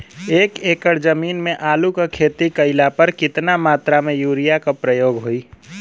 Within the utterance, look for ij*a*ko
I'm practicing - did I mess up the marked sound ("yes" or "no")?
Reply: no